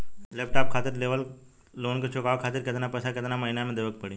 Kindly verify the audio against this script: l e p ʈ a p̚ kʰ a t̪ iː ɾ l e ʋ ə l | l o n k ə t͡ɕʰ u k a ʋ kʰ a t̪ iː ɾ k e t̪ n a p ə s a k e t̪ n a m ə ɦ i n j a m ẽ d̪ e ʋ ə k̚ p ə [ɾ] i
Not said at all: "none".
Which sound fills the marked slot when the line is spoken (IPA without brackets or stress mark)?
ɽ